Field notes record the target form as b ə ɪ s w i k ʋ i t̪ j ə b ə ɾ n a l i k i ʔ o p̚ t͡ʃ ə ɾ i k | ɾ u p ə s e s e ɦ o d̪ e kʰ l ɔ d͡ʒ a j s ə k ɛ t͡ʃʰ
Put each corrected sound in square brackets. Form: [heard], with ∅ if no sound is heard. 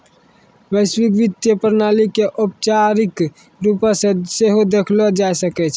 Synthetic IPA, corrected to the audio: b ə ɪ s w i k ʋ i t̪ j ə [p] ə ɾ n a l i k [e] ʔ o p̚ t͡ʃ [a] ɾ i k | ɾ u p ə s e s e ɦ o d̪ e kʰ l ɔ d͡ʒ a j s ə k ɛ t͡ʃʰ